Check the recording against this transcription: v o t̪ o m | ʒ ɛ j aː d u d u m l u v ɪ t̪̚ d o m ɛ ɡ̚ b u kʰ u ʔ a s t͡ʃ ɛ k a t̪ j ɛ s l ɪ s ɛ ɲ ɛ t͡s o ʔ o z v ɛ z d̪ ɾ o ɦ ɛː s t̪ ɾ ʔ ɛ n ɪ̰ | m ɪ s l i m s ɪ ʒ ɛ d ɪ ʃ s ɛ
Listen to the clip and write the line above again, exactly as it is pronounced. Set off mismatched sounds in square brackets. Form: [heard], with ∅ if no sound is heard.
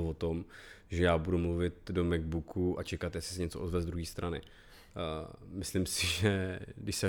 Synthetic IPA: v o t̪ o m | ʒ ɛ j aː [b] u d u m l u v ɪ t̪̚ d o m ɛ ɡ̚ b u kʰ u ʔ a [∅] t͡ʃ ɛ k a t̪ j ɛ s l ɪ s ɛ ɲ ɛ t͡s o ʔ o z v ɛ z d̪ ɾ [u] ɦ [iː] s t̪ ɾ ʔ [a] n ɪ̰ | m ɪ s l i m s ɪ ʒ ɛ d ɪ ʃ s ɛ